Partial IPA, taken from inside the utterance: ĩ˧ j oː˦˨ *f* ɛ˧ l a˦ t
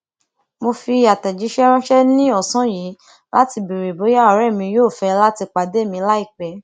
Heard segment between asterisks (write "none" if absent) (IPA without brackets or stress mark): f